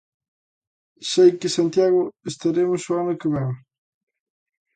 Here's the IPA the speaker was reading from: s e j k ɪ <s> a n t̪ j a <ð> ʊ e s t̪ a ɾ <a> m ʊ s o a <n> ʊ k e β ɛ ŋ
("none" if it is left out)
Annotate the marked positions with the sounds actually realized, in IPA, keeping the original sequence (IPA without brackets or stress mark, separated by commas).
s, ɣ, e, n